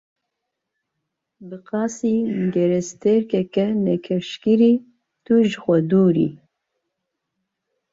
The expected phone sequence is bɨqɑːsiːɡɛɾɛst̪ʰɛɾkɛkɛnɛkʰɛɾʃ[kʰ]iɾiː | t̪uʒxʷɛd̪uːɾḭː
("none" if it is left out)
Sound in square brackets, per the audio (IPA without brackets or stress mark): k